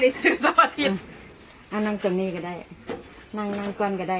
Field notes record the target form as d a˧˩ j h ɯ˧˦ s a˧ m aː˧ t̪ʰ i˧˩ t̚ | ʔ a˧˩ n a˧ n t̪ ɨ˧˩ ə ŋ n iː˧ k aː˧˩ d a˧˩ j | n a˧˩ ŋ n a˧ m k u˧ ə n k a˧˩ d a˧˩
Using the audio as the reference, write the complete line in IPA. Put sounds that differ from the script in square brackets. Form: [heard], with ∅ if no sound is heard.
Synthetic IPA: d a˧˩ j [s] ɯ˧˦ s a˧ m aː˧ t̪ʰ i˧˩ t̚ | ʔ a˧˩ n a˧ [ŋ] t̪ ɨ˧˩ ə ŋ n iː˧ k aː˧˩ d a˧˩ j | n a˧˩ ŋ n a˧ [ŋ] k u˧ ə n k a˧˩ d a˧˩